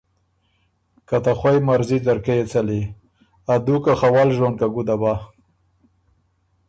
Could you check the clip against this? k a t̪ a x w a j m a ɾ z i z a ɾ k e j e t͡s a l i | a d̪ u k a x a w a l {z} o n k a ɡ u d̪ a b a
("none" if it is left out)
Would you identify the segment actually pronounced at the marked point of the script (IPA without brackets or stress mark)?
ʒ